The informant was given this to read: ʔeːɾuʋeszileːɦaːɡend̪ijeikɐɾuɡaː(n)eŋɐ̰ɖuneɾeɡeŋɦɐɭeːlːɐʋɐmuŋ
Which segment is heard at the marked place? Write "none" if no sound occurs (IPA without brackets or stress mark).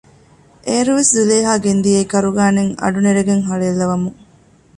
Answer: n